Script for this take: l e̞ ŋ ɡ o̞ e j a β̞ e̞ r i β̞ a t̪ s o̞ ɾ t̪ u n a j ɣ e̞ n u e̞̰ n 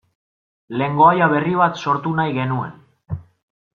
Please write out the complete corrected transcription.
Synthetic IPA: l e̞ ŋ ɡ o̞ a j a β̞ e̞ r i β̞ a t̪ s o̞ ɾ t̪ u n a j ɣ e̞ n u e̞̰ n